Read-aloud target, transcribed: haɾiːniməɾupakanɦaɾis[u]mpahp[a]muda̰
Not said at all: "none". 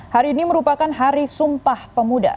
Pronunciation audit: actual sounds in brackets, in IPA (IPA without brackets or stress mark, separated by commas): u, ə